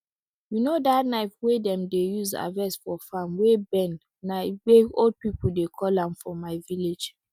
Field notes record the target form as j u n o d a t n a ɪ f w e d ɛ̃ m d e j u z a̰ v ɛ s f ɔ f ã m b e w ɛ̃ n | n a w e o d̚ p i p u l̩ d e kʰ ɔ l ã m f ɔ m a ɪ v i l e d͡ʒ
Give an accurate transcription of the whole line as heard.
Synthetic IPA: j u n o d a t n a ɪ f w e d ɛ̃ m d e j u z a̰ v ɛ s f ɔ f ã m w e b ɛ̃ n | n a w e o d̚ p i p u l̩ d e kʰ ɔ l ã m f ɔ m a ɪ v i l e d͡ʒ

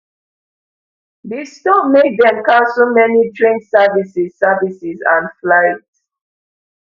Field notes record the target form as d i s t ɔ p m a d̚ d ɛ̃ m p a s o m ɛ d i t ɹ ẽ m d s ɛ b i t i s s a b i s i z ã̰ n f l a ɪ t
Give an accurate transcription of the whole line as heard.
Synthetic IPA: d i s t ɔ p m e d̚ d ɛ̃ m k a s o m ɛ n i t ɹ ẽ n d s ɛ v i s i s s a v i s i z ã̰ n f l a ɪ t

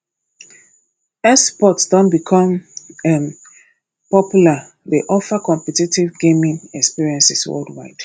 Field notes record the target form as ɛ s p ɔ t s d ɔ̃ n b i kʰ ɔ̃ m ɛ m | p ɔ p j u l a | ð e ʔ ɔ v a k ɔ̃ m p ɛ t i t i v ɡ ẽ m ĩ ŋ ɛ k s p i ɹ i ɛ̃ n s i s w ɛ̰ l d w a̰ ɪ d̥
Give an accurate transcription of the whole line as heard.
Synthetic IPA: ɛ s p ɔ t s d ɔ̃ n b i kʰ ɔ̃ m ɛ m | p ɔ p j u l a | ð e ʔ ɔ f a k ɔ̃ m p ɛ t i t i v ɡ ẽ m ĩ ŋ ɛ k s p i ɹ i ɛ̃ n s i s w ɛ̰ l d w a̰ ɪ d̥

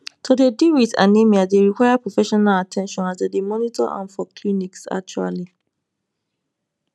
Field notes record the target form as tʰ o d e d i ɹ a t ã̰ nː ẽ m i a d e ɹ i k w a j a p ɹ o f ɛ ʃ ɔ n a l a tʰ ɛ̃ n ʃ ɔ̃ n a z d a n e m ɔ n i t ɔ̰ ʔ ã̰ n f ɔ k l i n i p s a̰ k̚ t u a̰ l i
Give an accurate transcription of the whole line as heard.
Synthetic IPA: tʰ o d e d i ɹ i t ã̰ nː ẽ m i a d e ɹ i k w a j a p ɹ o f ɛ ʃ ɔ n a l a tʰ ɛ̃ n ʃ ɔ̃ n a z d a d e m ɔ n i t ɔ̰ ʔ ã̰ n f ɔ k l i n i k s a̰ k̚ t͡ʃ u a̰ l i

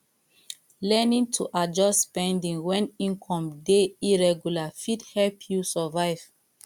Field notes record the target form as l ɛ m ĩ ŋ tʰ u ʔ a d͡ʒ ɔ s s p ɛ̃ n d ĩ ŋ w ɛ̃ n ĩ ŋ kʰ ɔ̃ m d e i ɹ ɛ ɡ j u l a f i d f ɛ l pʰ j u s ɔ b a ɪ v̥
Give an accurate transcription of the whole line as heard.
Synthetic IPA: l ɛ n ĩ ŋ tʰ u ʔ a d͡ʒ ɔ s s p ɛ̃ n d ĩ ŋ w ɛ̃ n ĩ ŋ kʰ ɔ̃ m d e i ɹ ɛ ɡ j u l a f i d h ɛ l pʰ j u s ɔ v a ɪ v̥

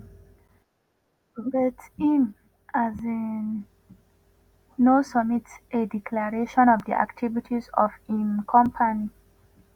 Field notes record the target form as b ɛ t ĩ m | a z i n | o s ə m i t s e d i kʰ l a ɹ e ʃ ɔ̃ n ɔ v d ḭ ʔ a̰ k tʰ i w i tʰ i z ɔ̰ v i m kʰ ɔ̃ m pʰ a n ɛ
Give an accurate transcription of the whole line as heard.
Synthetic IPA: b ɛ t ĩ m | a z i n | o s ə m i t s e d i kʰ l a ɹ e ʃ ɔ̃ n ɔ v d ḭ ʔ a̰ k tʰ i v i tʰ i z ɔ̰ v i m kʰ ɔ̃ m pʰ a n i

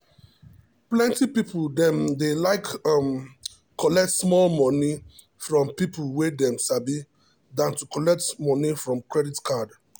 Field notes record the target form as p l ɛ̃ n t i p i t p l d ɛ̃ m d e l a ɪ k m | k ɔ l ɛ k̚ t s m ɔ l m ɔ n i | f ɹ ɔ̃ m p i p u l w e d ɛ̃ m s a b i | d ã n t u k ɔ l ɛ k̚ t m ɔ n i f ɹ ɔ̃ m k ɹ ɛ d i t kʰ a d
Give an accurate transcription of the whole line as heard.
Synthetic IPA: p l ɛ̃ n t i p i p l d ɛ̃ m d e l a ɪ k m | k ɔ l ɛ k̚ t s m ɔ l m ɔ n i | f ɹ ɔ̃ m p i p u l w e d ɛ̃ m s a b i | d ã n t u k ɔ l ɛ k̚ t m ɔ n i f ɹ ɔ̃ m k ɹ ɛ d i t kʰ a d

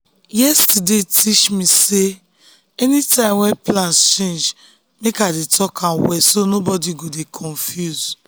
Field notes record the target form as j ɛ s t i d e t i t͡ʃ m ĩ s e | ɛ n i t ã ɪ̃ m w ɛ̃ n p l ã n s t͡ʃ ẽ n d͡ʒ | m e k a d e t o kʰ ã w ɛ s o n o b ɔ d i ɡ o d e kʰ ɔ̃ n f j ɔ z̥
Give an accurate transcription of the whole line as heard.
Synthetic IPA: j ɛ s t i d e t i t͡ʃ m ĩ s e | ɛ n i t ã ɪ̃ m w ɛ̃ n p l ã n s t͡ʃ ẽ n d͡ʒ | m e k a d e t ɔ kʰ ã w ɛ s o n o b ɔ d i ɡ o d e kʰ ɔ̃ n f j u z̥

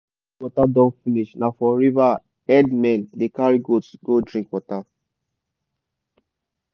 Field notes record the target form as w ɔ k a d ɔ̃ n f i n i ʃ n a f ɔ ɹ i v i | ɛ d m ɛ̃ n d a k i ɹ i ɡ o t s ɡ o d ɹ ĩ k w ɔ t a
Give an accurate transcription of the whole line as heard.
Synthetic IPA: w ɔ t a d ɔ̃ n f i n i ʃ n a f ɔ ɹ i v a | ɛ d m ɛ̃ n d e k a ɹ i ɡ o t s ɡ o d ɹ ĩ k w ɔ t a

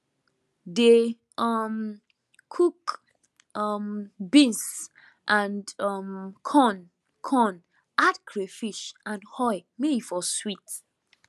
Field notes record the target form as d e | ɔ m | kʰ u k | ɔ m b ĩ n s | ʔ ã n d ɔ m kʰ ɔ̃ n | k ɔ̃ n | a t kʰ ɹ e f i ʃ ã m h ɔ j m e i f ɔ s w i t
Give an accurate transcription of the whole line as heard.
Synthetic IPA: d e | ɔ m | kʰ u k | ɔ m b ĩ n s | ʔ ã n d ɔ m kʰ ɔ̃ n | kʰ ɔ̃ n | a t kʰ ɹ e f i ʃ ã n h ɔ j m e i f ɔ s w i t

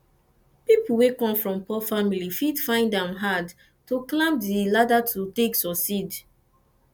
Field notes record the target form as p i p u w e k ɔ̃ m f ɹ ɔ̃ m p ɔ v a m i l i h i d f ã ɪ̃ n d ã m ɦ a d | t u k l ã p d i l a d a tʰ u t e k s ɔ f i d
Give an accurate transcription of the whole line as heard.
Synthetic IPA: p i p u w e k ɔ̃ m f ɹ ɔ̃ m p ɔ f a m i l i f i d f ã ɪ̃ n d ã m ɦ a d | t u k l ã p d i l a d a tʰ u t e k s ɔ s i d

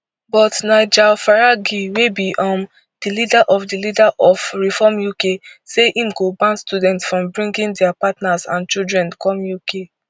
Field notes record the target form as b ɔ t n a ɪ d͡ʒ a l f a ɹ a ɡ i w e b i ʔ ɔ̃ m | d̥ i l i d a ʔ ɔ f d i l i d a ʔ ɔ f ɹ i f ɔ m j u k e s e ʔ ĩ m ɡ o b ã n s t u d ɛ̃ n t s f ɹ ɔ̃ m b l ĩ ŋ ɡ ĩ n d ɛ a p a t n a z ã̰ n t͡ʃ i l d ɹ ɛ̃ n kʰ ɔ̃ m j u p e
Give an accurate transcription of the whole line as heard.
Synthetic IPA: b ɔ t n a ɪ d͡ʒ a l f a ɹ a ɡ i w e b i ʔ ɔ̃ m | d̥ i l i d a ʔ ɔ f d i l i d a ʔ ɔ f ɹ i f ɔ m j u k e s e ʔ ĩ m ɡ o b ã n s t u d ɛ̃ n t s f ɹ ɔ̃ m b ɹ ĩ ŋ ɡ ĩ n d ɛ a p a t n a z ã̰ n t͡ʃ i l d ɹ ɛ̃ n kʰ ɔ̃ m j u k e

